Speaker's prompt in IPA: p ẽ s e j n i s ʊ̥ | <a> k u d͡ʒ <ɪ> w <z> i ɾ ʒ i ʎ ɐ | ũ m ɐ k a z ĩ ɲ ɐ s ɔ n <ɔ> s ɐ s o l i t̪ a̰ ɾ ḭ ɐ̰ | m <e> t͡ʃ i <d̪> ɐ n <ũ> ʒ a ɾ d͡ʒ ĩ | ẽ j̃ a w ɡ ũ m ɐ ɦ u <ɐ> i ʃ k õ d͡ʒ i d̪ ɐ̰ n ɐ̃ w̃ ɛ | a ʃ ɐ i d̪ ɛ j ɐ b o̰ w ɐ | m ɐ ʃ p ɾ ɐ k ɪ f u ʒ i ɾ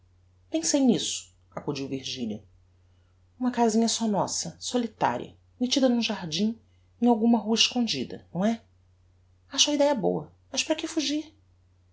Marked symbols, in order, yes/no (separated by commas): yes, no, no, yes, yes, yes, yes, yes